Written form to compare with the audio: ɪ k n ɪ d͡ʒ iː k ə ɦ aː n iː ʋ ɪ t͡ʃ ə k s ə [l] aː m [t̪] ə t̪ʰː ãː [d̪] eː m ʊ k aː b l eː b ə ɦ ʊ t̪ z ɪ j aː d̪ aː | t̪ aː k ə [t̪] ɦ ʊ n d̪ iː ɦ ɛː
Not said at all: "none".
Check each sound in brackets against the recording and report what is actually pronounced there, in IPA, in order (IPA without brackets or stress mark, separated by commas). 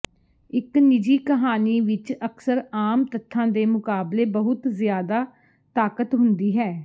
ɾ, t̪, d̪, t̪